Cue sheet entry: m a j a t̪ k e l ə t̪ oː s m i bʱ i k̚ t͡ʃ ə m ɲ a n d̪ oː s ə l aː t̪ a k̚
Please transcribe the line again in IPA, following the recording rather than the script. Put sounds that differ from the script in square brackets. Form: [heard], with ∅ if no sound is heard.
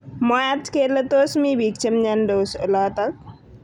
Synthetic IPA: m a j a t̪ k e l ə t̪ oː s m i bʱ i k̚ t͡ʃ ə m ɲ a n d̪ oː s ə l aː t̪ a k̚